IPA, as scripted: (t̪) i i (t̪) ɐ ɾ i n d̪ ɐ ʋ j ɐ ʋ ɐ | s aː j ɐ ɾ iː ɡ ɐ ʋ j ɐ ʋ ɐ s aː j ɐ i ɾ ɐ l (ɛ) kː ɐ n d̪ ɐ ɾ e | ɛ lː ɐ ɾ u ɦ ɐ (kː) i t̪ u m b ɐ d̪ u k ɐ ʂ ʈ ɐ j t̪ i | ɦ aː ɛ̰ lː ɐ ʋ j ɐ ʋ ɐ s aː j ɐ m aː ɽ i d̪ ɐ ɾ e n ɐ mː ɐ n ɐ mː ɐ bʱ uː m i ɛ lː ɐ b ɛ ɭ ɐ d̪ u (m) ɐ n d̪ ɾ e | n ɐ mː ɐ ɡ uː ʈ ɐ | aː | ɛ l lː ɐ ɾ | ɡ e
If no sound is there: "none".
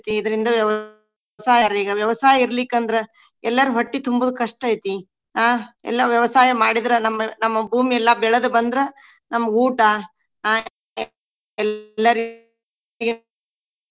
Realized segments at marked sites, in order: t̪, d̪, i, ʈː, b

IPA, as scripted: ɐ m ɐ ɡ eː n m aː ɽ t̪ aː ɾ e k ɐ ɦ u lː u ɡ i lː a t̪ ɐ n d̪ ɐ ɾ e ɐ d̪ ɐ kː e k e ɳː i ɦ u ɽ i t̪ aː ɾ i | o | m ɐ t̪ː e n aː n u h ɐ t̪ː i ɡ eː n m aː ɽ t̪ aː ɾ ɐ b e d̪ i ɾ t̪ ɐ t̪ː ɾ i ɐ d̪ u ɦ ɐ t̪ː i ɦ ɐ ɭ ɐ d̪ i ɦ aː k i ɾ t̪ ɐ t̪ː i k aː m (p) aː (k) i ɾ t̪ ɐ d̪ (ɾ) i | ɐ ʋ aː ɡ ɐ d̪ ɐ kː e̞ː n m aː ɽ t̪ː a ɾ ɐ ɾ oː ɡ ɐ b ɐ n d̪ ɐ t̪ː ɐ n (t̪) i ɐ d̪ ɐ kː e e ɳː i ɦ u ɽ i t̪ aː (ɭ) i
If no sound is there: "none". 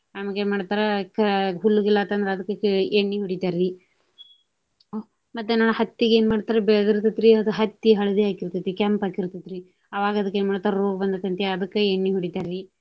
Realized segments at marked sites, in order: p, k, ɾ, t̪, ɾ

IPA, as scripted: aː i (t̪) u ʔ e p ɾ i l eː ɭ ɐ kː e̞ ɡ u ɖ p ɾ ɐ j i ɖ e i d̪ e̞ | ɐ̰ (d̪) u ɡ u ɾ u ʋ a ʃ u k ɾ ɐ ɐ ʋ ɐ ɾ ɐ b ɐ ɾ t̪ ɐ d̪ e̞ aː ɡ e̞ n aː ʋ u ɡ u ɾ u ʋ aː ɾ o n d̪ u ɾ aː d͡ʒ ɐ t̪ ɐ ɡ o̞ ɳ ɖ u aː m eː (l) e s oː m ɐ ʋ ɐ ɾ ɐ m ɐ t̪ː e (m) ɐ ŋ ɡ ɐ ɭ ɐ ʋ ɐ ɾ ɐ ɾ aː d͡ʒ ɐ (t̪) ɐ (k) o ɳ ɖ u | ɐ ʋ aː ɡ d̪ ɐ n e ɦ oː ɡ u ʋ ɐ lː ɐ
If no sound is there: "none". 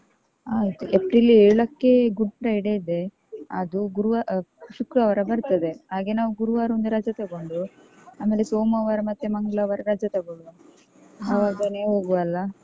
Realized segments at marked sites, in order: t̪, d̪, l, m, t̪, ɡ

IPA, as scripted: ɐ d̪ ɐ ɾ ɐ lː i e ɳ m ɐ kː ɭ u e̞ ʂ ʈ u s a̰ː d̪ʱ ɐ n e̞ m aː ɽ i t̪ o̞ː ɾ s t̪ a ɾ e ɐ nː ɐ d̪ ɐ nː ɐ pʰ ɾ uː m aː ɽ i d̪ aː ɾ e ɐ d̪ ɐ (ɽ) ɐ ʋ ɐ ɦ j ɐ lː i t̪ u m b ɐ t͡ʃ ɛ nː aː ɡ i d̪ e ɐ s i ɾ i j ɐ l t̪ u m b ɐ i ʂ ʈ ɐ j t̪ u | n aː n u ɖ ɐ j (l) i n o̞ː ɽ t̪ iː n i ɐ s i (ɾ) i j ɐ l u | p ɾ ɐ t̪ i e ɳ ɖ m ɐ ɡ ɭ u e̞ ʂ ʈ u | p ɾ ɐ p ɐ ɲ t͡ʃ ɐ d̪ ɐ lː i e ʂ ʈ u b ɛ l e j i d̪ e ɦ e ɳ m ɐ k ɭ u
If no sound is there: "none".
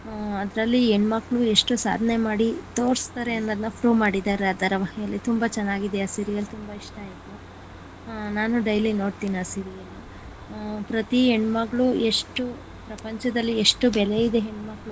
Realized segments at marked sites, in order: ɾ, l, ɾ

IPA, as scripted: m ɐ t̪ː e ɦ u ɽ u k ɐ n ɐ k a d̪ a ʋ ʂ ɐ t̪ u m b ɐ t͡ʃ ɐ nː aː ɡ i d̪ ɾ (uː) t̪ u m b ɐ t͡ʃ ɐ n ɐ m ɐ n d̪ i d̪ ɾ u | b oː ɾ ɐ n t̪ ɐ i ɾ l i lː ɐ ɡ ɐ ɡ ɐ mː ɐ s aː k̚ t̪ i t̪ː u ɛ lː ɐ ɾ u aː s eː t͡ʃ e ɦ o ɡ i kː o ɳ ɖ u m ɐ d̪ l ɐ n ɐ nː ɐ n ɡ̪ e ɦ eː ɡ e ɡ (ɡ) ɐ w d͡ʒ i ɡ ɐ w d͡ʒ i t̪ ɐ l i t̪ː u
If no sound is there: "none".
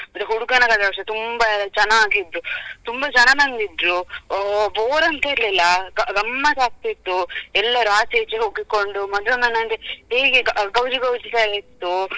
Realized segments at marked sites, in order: u, ɡ

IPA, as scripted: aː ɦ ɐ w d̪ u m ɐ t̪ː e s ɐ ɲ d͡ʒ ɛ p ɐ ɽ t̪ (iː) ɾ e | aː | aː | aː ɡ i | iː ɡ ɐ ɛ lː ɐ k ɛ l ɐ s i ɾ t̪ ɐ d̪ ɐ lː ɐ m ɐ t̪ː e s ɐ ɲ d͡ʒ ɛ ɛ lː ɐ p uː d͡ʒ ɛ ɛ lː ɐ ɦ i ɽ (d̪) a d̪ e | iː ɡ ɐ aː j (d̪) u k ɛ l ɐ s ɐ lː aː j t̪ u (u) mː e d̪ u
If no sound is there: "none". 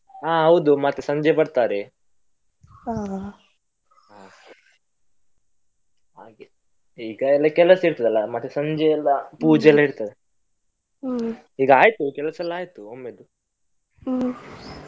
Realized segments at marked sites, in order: aː, t̪, t̪, o

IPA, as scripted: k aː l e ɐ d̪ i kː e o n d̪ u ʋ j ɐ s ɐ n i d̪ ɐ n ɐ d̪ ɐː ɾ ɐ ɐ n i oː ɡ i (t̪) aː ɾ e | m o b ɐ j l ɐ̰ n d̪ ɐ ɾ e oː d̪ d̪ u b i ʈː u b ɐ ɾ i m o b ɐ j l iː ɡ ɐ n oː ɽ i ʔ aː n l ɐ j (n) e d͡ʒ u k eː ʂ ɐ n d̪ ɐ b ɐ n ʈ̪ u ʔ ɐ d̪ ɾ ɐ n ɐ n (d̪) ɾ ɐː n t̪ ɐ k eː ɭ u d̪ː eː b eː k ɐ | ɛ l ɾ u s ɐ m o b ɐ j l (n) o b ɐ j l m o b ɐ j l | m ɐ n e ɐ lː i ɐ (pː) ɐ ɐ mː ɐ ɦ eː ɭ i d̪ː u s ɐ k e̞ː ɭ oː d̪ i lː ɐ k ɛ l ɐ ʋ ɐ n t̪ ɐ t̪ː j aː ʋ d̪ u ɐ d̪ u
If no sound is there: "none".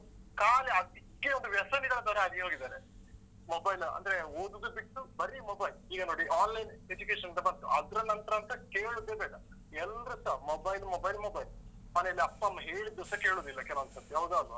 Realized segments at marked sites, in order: d̪, n, t̪, m, pː

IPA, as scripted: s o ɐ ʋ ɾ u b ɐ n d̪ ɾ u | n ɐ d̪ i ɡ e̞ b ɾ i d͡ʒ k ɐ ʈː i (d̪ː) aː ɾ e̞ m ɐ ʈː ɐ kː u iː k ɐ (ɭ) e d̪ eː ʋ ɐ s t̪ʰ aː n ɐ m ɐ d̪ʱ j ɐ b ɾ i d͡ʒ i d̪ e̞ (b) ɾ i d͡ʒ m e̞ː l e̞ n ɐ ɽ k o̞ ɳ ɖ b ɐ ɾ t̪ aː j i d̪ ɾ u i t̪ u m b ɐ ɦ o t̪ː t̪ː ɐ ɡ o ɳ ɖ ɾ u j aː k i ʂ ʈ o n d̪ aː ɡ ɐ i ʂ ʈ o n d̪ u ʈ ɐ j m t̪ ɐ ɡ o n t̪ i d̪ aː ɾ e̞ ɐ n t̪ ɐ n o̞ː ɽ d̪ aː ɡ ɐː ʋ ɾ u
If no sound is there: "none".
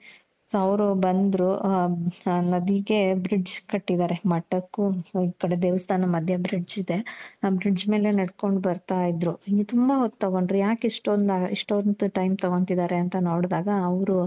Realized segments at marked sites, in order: d̪, ɽ, b

